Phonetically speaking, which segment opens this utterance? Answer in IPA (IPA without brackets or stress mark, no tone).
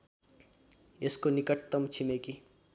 e